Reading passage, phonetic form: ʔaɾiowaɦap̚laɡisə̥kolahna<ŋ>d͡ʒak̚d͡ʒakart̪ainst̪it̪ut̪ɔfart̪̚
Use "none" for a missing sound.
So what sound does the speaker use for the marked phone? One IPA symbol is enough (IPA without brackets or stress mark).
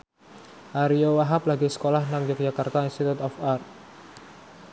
ŋ